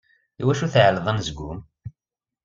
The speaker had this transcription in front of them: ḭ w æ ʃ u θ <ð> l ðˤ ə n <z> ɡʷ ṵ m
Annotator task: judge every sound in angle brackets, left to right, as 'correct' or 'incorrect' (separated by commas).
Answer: incorrect, correct